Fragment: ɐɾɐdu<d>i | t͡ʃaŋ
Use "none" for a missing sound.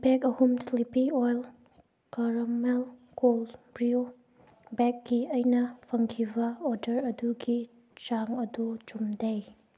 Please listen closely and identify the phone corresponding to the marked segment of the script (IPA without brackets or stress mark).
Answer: ɡ